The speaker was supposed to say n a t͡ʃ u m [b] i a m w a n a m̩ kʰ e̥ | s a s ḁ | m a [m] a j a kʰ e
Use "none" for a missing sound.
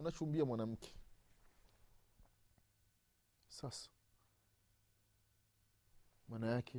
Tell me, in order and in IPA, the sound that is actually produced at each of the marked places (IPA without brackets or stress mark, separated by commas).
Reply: b, n